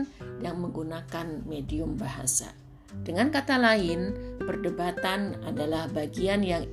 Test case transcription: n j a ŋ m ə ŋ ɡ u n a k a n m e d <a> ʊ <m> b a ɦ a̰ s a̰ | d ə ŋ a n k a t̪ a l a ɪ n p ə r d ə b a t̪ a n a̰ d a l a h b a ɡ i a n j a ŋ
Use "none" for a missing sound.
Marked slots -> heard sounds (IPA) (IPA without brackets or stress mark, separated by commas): i, m